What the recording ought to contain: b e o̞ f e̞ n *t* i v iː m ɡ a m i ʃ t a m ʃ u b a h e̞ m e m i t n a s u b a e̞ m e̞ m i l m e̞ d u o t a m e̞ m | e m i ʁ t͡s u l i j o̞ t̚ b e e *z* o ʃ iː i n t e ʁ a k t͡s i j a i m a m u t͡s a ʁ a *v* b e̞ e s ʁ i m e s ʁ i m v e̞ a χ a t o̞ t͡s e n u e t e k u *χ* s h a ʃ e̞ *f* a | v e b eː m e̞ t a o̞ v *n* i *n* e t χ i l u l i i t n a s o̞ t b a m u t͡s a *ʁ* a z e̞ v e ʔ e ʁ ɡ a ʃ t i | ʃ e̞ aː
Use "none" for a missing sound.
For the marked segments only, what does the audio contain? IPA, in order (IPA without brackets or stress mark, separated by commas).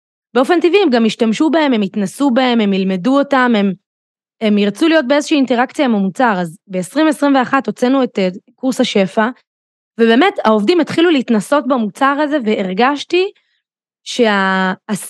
t, z, z, ʁ, f, d, m, ʁ